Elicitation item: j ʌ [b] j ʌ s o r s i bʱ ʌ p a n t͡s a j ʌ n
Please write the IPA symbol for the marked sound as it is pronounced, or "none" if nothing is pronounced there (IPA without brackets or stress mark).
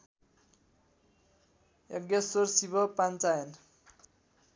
ɡ